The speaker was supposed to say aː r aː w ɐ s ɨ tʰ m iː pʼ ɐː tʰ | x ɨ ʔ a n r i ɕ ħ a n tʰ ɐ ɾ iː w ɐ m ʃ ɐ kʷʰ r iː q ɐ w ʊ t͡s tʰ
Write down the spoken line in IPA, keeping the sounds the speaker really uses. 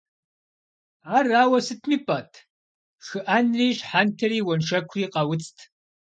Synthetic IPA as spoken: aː r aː w ɐ s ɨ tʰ m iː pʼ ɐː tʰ | x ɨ ʔ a n r iː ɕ ħ a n tʰ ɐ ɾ iː w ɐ n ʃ ɐ kʷʰ r iː q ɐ w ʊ t͡s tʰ

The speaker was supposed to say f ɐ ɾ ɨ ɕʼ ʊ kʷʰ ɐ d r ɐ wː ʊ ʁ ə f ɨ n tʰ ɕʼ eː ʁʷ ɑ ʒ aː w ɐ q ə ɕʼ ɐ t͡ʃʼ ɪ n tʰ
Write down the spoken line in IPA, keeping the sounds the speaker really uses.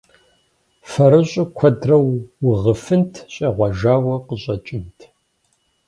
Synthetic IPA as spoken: f ɐ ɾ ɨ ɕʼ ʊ kʷʰ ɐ d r ɐ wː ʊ ʁ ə f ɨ n tʰ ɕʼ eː ʁʷ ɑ ʒ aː w ɐ q ə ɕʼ ɐ t͡ʃʼ ɪ n tʰ

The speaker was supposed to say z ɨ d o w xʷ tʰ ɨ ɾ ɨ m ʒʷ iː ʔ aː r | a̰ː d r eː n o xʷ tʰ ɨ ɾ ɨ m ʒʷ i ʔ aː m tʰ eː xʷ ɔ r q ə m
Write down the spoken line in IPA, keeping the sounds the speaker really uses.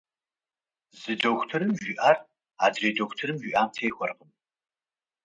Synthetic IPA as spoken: z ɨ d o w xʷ tʰ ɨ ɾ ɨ m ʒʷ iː ʔ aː r | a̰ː d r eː d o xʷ tʰ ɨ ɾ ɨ m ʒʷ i ʔ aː m tʰ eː xʷ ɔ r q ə m

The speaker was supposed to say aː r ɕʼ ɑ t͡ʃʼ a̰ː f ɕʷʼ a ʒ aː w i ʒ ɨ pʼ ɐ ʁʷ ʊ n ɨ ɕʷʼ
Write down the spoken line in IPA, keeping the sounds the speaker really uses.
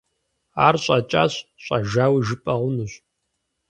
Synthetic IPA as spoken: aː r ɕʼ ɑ t͡ʃʼ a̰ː ɕ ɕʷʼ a ʒ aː w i ʒ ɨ pʼ ɐ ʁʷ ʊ n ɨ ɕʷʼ

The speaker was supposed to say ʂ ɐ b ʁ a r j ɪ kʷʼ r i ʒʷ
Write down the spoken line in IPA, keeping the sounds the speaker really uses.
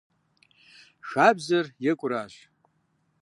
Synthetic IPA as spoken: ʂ a b z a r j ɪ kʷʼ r a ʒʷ

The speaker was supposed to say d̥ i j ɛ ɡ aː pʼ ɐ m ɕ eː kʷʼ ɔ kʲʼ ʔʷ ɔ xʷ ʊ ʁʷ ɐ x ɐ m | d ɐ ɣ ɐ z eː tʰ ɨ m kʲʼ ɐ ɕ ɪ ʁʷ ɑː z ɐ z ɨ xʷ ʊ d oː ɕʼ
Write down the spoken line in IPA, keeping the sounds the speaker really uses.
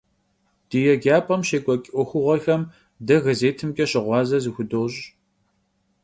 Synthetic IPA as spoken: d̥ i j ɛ ɡ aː pʼ ɐ m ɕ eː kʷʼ ɔ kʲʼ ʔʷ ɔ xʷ ʊ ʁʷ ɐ x ɐ m | d ɐ ɣ ɐ z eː tʰ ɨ m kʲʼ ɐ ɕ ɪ ʁʷ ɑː z ɐ z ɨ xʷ ʊ d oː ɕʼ

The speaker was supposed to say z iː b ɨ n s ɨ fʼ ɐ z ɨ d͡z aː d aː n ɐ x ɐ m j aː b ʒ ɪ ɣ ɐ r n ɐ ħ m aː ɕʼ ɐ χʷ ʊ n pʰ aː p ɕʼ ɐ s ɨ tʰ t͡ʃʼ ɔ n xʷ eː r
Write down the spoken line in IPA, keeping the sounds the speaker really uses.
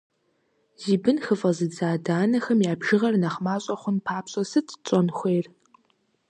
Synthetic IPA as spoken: z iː b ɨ n x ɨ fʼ ɐ z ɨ d͡z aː d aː n ɐ x ɐ m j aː b ʒ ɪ ʁ ɐ r n ɐ χ m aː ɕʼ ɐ χʷ ʊ n pʰ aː p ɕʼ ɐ s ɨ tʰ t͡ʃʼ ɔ n xʷ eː r

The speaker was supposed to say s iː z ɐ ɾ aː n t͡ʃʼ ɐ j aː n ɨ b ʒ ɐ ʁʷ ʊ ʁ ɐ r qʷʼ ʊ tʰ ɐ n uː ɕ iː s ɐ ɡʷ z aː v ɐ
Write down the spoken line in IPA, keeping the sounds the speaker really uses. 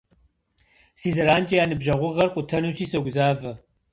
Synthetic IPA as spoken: s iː z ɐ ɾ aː n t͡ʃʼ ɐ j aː n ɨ b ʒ ɐ ʁʷ ʊ ʁ ɐ r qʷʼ ʊ tʰ ɐ n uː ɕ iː s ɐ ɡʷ z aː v ɐ

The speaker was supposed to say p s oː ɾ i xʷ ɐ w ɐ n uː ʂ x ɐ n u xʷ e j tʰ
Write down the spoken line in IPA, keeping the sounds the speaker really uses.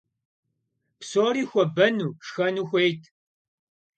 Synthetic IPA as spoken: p s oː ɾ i xʷ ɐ b ɐ n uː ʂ x ɐ n u xʷ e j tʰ

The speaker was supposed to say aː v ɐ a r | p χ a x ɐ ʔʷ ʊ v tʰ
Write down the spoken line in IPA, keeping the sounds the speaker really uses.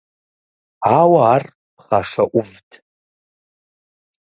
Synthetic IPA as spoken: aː w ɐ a r | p χ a ʂ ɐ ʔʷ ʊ v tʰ

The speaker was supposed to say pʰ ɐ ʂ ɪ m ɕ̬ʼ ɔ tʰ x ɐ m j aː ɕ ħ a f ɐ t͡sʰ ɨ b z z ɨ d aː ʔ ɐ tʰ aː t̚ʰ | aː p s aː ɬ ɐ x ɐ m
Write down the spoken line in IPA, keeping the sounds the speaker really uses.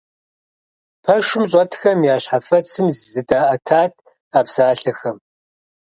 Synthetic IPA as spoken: pʰ ɐ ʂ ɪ m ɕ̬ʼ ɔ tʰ x ɐ m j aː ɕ ħ a f ɐ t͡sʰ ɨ m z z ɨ d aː ʔ ɐ tʰ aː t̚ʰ | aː p s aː ɬ ɐ x ɐ m

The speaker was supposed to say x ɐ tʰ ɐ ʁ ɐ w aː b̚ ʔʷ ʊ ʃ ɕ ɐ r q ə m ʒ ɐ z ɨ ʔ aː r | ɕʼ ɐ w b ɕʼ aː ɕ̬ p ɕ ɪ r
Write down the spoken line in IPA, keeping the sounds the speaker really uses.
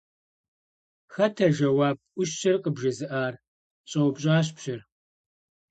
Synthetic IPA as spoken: x ɐ tʰ ɐ ʒ ɐ w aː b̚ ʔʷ ʊ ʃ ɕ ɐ r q ə b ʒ ɐ z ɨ ʔ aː r | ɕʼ ɐ w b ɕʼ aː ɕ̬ p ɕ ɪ r

